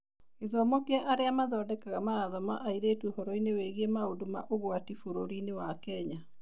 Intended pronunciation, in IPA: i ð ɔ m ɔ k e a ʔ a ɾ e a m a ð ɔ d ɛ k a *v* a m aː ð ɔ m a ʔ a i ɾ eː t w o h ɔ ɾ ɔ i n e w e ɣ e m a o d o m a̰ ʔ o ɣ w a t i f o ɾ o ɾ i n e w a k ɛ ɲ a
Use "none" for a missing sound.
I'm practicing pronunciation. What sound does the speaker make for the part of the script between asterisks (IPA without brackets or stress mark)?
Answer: ɣ